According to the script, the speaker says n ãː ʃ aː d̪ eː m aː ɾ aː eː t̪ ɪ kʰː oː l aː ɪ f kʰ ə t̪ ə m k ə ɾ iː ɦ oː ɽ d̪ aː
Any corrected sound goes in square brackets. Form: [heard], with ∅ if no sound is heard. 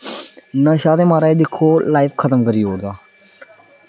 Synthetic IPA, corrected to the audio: n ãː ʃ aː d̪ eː m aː ɾ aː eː [d̪] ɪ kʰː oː l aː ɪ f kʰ ə t̪ ə m k ə ɾ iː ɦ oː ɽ d̪ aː